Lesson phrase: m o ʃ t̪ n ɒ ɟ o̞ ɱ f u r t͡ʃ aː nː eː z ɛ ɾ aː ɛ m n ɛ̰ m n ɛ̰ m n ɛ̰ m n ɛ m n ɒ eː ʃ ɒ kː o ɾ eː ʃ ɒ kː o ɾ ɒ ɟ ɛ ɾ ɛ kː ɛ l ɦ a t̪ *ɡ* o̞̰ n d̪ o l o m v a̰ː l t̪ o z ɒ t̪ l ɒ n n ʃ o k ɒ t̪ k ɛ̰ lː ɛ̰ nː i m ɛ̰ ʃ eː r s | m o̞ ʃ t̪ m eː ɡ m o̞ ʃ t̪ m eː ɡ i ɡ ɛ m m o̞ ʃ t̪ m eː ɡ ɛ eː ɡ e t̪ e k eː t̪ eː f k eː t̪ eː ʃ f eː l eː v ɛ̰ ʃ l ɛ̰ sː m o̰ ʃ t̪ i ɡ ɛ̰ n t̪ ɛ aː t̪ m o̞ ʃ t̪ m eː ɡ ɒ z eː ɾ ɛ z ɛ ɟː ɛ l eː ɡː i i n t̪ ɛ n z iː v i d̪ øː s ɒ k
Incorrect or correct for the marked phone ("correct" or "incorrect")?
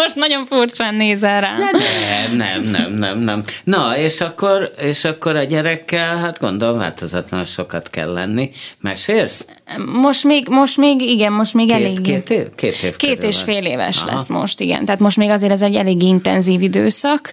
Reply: correct